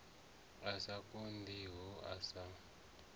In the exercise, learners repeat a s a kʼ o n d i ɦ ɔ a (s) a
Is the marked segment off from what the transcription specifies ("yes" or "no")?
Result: no